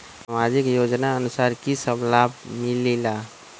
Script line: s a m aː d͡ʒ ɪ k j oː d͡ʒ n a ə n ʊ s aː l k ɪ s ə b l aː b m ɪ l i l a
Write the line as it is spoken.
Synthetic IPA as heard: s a m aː d͡ʒ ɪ k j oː d͡ʒ n a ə n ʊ s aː ɾ k i s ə b l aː b m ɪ l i l a